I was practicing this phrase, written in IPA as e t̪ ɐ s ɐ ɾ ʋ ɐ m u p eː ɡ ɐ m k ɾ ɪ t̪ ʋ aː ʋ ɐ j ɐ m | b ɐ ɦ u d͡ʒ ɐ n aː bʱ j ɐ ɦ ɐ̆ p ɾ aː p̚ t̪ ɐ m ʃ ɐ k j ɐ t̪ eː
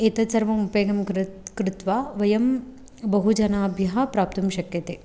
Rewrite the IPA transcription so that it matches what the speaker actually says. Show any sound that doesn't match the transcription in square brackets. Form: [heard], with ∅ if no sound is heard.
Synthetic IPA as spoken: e t̪ ɐ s ɐ ɾ ʋ ɐ m u p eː ɡ ɐ m k ɾ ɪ t̪ ʋ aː ʋ ɐ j ɐ m | b ɐ ɦ u d͡ʒ ɐ n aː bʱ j ɐ ɦ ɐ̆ p ɾ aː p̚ t̪ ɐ m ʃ ɐ k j ɐ t̪ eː

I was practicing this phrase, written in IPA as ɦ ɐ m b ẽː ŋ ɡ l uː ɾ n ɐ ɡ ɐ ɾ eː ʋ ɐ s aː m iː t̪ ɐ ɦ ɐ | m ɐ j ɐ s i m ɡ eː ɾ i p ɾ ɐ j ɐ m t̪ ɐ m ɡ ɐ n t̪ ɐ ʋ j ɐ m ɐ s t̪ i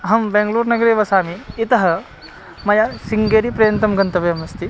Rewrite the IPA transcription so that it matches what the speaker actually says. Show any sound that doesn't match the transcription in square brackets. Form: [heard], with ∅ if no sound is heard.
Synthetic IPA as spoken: ɦ ɐ m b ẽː ŋ ɡ l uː ɾ n ɐ ɡ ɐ ɾ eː ʋ ɐ s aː m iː t̪ ɐ ɦ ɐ | m ɐ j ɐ s i [ŋ] ɡ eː ɾ i p ɾ ɐ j ɐ [n] t̪ ɐ m ɡ ɐ n t̪ ɐ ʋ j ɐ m ɐ s t̪ i

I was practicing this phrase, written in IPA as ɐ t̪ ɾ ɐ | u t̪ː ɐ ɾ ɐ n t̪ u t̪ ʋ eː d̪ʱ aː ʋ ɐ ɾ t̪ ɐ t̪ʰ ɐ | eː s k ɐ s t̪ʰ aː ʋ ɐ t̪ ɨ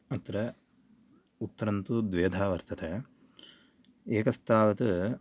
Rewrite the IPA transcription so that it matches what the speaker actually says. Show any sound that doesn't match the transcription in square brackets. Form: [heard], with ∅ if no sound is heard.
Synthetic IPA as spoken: ɐ t̪ ɾ ɐ | u t̪ː ɐ ɾ ɐ n t̪ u [d̪] ʋ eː d̪ʱ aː ʋ ɐ ɾ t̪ ɐ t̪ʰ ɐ | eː [∅] k ɐ s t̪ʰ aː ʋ ɐ t̪ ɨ

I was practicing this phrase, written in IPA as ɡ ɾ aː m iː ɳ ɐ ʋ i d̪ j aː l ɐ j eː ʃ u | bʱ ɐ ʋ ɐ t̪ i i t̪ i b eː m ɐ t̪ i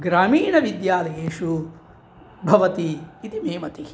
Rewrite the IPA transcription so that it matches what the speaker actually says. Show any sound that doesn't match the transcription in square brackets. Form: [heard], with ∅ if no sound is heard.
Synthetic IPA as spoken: ɡ ɾ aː m iː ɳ ɐ ʋ i d̪ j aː l ɐ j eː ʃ u | bʱ ɐ ʋ ɐ t̪ i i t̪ i [m] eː m ɐ t̪ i

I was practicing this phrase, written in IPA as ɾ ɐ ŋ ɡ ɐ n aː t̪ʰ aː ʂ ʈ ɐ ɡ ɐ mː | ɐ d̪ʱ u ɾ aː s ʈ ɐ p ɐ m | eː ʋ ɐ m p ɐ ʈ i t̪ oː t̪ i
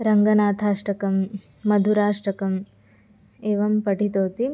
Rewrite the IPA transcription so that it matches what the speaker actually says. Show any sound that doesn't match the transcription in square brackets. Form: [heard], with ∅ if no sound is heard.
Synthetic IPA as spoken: ɾ ɐ ŋ ɡ ɐ n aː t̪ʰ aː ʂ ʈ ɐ [k] ɐ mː | ɐ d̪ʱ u ɾ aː [ʂ] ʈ ɐ [k] ɐ m | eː ʋ ɐ m p ɐ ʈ i t̪ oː t̪ i

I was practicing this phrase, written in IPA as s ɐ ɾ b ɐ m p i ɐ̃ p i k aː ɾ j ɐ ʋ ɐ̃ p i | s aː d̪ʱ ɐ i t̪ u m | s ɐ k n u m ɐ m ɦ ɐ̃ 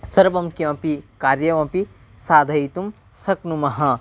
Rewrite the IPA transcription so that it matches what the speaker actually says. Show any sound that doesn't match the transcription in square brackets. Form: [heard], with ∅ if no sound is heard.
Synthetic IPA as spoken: s ɐ ɾ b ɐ m [k] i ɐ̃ p i k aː ɾ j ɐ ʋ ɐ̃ p i | s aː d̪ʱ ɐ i t̪ u m | s ɐ k n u m ɐ [∅] ɦ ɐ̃

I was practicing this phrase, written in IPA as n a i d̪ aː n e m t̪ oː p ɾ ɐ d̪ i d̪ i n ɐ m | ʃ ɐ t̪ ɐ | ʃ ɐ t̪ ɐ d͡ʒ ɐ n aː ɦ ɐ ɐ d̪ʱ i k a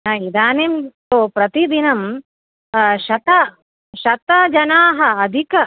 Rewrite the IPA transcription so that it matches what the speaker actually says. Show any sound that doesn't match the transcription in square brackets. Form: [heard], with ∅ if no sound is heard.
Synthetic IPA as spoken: n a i d̪ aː n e m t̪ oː p ɾ ɐ [t̪] i d̪ i n ɐ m | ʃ ɐ t̪ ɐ | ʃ ɐ t̪ ɐ d͡ʒ ɐ n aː ɦ ɐ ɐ d̪ʱ i k [ɐ]

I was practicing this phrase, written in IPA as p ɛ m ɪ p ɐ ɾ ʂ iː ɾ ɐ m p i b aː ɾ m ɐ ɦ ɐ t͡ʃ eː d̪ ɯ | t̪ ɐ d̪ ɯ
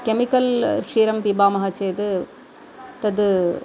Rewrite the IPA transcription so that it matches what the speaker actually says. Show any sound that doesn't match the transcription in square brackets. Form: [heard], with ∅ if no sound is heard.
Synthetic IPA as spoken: [k] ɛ m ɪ [k] ɐ [l] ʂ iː ɾ ɐ m p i b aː [∅] m ɐ ɦ ɐ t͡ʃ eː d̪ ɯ | t̪ ɐ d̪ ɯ

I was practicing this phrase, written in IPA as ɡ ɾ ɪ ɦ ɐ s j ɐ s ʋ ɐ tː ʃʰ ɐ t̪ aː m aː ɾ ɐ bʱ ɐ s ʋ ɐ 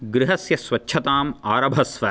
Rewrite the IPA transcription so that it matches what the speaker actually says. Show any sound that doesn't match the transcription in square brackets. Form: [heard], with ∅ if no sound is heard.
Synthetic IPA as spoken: ɡ ɾ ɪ ɦ ɐ s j ɐ s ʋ ɐ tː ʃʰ ɐ t̪ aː m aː ɾ ɐ bʱ ɐ s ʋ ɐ

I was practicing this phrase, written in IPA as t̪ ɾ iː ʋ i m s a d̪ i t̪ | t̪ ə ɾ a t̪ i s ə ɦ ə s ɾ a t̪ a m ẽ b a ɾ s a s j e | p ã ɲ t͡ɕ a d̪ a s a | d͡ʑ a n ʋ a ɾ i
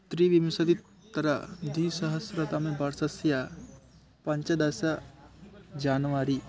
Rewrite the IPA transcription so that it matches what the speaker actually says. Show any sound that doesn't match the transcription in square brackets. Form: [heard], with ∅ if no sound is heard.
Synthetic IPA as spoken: t̪ ɾ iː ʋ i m s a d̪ i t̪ | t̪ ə ɾ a [d̪] i s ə ɦ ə s ɾ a t̪ a m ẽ b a ɾ s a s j [a] | p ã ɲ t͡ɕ a d̪ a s a | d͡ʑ a n ʋ a ɾ i

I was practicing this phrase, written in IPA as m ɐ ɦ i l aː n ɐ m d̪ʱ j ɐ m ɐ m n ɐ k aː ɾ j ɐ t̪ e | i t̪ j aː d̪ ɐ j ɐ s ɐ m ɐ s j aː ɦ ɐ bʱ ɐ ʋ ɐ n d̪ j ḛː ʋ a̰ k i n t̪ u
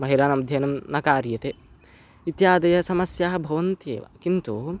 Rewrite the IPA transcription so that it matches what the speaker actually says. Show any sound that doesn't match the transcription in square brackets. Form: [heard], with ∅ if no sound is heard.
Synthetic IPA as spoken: m ɐ ɦ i l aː n ɐ m d̪ʱ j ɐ [n] ɐ m n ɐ k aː ɾ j ɐ t̪ e | i t̪ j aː d̪ ɐ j ɐ s ɐ m ɐ s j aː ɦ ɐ bʱ ɐ ʋ ɐ n [t̪] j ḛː ʋ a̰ k i n t̪ u

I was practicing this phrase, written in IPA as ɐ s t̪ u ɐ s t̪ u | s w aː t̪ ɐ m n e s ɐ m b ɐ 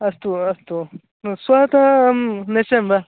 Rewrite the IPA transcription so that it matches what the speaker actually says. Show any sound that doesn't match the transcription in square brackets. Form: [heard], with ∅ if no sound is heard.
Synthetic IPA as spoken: ɐ s t̪ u ɐ s t̪ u | s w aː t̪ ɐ m n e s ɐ m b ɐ

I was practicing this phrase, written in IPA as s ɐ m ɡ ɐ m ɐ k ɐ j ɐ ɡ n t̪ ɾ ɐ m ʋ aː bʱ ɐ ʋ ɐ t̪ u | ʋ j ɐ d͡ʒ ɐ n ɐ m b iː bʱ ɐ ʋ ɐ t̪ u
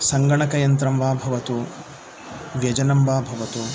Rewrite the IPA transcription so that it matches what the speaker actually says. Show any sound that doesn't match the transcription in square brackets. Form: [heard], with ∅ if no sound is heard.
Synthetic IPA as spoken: s ɐ [ŋ] ɡ ɐ [ɳ] ɐ k ɐ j ɐ [∅] n t̪ ɾ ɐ m ʋ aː bʱ ɐ ʋ ɐ t̪ u | ʋ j ɐ d͡ʒ ɐ n ɐ m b [aː] bʱ ɐ ʋ ɐ t̪ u

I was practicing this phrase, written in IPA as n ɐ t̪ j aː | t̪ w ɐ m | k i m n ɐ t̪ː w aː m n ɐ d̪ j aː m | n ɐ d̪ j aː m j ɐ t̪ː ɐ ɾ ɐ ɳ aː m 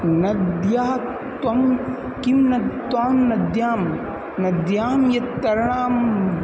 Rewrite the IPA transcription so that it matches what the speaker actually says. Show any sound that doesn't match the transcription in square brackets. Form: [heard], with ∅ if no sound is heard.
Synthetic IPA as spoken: n ɐ [d̪] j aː | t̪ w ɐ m | k i m n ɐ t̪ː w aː m n ɐ d̪ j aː m | n ɐ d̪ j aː m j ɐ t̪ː ɐ ɾ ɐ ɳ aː m

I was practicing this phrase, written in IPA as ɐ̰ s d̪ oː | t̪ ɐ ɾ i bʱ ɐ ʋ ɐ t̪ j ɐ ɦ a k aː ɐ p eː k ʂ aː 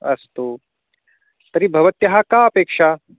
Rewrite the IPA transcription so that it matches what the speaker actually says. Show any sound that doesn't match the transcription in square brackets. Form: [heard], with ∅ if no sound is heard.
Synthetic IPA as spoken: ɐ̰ s [t̪] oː | t̪ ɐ ɾ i bʱ ɐ ʋ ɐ t̪ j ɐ ɦ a k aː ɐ p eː k ʂ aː

